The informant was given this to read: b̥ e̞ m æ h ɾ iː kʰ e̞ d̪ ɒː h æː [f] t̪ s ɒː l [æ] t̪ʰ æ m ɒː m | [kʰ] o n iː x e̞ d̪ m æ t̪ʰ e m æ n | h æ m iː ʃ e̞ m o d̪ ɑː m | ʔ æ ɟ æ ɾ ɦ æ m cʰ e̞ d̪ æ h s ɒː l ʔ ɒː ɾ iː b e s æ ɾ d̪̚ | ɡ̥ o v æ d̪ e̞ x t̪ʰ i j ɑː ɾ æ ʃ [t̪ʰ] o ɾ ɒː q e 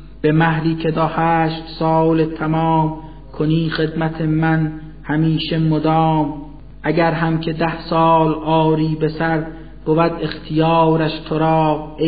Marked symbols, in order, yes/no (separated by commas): no, no, yes, yes